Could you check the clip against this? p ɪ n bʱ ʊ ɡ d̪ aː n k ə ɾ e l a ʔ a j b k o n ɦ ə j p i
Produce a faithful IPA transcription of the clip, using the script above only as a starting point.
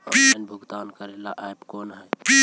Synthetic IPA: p i n bʱ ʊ ɡ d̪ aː n k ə ɾ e l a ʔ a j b k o n ɦ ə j p i